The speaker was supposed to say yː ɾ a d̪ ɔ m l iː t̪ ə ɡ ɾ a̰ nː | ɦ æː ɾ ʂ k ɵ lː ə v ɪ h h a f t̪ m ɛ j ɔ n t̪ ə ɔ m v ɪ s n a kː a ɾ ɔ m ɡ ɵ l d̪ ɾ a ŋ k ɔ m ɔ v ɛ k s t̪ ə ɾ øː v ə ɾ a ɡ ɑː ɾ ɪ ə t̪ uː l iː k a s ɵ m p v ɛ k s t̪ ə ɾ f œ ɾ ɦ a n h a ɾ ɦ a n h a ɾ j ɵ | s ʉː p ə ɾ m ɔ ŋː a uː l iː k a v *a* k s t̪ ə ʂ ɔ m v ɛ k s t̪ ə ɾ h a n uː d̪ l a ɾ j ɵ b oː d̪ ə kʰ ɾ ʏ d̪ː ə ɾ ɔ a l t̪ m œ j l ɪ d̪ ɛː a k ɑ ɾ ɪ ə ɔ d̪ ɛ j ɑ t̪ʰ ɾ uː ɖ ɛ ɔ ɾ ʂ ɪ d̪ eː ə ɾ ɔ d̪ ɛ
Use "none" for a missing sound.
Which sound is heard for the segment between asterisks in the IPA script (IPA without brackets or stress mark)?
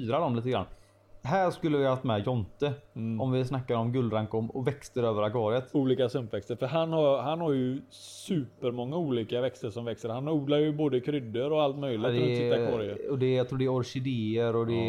ɛ